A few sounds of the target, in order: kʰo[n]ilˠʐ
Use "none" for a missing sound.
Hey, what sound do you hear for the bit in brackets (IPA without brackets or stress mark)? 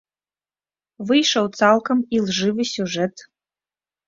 m